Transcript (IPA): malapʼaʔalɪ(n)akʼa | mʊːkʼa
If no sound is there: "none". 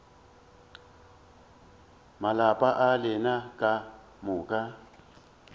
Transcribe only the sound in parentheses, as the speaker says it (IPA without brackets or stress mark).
n